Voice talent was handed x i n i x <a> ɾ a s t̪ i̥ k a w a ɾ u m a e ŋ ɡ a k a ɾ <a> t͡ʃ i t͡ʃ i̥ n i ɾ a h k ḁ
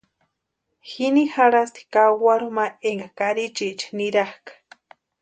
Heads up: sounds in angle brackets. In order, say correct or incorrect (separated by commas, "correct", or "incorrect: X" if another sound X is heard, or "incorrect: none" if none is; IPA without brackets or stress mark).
correct, incorrect: i